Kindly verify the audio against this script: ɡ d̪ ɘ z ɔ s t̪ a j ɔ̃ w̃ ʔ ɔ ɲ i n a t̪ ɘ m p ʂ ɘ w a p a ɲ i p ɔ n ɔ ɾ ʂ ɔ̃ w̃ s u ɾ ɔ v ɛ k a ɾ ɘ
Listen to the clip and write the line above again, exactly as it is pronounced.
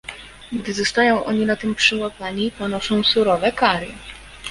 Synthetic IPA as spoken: ɡ d̪ ɘ z ɔ s t̪ a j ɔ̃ w̃ ʔ ɔ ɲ i n a t̪ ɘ m p ʂ ɘ w a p a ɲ i p ɔ n ɔ ʂ ɔ̃ w̃ s u ɾ ɔ v ɛ k a ɾ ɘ